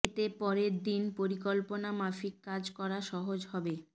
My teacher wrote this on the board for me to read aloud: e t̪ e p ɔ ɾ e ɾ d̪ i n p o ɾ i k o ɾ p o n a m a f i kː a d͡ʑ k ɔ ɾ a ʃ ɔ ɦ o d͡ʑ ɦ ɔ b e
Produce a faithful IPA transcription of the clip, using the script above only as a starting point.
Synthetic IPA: e t̪ e p ɔ ɾ e ɾ d̪ i n p o ɾ i k o l p o n a m a f i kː a d͡ʑ k ɔ ɾ a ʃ ɔ ɦ o d͡ʑ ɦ ɔ b e